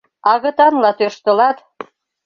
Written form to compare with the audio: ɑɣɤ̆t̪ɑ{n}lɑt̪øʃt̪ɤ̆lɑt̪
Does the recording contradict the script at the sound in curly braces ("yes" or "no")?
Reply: no